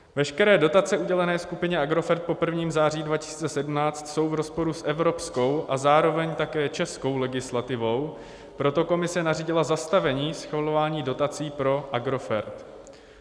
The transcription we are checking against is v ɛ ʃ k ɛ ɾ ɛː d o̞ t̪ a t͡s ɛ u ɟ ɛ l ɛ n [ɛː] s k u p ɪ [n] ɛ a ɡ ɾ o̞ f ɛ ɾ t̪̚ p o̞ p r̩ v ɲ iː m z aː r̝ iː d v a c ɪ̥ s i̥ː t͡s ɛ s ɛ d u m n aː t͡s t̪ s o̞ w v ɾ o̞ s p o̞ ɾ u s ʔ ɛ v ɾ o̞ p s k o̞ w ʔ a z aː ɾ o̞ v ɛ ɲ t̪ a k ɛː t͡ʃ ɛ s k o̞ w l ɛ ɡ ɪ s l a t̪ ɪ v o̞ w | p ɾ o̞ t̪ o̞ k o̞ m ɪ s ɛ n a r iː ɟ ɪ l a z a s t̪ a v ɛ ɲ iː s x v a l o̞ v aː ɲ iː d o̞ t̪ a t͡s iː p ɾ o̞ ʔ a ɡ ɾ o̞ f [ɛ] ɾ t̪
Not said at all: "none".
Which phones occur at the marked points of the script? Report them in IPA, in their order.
ɛː, ɲ, ɛ

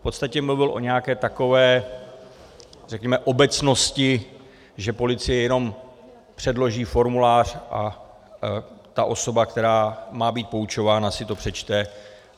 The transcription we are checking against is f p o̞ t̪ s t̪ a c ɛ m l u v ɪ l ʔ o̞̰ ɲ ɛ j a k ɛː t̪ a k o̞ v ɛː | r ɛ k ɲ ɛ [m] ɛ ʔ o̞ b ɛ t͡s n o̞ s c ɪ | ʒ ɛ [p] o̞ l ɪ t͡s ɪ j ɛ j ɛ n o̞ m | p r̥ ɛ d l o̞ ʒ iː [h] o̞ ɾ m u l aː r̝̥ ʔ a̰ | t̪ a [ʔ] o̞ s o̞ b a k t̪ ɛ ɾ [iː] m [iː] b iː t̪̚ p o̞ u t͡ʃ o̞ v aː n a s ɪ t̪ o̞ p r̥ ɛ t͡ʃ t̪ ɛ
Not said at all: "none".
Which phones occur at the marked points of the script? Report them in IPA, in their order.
m, p, f, ʔ, aː, aː

